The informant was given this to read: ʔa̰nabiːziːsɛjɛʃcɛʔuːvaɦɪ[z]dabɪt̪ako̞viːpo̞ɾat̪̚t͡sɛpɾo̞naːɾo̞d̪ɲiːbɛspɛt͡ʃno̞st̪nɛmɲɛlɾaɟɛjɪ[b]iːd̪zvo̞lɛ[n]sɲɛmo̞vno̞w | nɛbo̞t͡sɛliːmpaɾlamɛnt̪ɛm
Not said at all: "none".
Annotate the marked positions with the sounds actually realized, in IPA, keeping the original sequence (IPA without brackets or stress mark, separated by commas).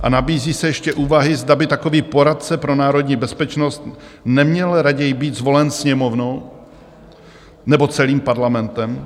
z, b, n